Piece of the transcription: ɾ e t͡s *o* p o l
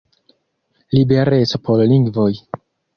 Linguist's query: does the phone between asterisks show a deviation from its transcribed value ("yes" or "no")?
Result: no